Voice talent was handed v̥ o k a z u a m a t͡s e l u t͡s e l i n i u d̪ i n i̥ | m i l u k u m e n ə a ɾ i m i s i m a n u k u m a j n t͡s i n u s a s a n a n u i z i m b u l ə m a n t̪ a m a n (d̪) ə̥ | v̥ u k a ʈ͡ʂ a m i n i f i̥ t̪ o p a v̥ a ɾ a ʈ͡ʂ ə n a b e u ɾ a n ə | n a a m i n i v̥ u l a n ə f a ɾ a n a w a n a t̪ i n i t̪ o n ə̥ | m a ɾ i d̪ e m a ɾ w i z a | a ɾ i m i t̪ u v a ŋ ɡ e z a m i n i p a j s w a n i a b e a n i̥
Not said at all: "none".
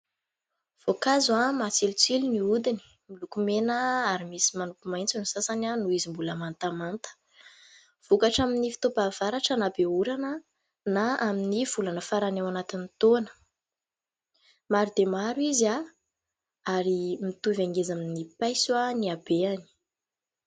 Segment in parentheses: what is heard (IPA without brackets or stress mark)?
t̪